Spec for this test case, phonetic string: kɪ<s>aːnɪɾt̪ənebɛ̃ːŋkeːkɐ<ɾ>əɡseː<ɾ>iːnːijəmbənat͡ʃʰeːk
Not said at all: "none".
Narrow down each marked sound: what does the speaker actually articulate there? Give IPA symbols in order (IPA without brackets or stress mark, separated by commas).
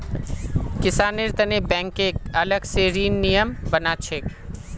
s, l, ɾ